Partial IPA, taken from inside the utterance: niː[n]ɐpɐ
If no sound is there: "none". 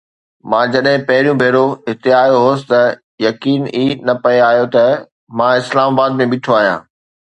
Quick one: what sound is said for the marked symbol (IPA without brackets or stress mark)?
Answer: n